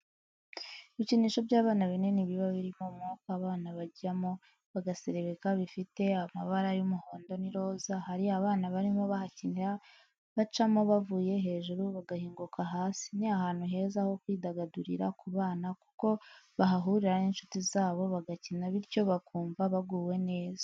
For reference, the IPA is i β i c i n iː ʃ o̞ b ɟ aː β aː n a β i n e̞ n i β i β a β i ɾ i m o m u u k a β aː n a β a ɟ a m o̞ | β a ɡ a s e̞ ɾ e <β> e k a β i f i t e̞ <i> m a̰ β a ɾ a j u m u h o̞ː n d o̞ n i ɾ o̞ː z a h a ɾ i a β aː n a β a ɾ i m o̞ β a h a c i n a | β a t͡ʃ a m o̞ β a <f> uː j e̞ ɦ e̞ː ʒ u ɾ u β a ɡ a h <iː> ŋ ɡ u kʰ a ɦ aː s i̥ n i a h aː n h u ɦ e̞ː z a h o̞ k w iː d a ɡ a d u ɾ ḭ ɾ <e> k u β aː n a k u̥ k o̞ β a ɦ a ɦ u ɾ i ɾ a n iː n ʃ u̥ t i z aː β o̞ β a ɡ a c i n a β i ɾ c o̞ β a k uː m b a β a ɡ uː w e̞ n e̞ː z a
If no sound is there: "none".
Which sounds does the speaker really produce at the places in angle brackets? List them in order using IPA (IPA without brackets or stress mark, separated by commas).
β, a, v, iː, a